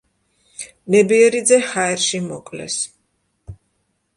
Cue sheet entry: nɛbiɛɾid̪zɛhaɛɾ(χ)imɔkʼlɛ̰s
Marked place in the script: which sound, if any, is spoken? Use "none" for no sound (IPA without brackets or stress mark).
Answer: ʃ